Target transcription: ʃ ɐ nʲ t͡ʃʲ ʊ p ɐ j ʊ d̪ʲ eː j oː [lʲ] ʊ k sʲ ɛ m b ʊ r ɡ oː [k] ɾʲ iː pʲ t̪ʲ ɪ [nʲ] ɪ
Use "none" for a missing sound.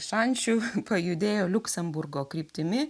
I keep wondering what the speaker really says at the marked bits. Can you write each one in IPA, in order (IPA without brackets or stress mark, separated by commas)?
lʲ, k, mʲ